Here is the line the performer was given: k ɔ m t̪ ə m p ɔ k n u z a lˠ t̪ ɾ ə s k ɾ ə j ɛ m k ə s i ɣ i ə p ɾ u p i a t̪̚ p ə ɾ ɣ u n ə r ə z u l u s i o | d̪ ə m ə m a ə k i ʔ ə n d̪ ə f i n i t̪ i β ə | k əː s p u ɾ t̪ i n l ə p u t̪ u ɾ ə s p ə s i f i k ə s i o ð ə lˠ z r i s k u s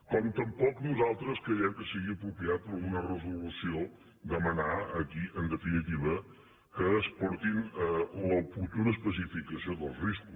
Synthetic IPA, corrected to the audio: k ɔ m t̪ ə m p ɔ k n u z a lˠ t̪ ɾ ə s k ɾ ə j ɛ m k ə s i ɣ i ə p ɾ u p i a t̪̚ p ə ɾ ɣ u n ə r ə z u l u s i o | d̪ ə m ə n a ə k i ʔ ə n d̪ ə f i n i t̪ i β ə | k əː s p ɔ ɾ t̪ i n l ə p u t̪ u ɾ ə s p ə s i f i k ə s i o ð ə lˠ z r i s k u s